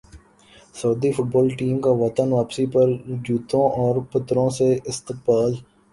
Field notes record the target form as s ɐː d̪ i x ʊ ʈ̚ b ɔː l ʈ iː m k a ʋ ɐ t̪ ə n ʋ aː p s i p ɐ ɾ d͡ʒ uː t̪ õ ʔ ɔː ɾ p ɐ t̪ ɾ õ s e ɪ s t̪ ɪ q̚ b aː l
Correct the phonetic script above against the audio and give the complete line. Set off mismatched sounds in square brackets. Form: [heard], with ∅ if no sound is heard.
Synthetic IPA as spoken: s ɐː d̪ i [f] ʊ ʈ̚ b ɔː l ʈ iː m k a ʋ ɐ t̪ ə n ʋ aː p s i p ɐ ɾ d͡ʒ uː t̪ õ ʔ ɔː ɾ p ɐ t̪ ɾ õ s e ɪ s t̪ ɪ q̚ b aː l